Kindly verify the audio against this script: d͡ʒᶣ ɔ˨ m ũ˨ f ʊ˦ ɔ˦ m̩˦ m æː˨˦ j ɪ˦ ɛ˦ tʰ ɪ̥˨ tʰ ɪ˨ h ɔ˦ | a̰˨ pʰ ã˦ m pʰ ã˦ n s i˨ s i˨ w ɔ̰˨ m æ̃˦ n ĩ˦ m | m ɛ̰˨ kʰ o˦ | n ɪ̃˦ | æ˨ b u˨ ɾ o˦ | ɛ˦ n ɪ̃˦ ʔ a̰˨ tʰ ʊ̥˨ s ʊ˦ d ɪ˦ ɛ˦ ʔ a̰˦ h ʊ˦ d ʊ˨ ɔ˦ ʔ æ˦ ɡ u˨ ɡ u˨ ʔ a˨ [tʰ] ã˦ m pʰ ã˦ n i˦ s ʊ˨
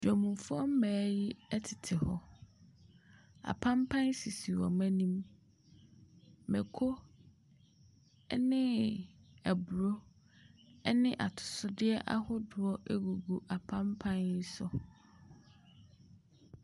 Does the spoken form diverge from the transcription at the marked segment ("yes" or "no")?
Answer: yes